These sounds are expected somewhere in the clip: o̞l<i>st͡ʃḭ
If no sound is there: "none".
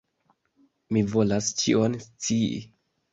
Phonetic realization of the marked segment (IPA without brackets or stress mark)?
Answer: a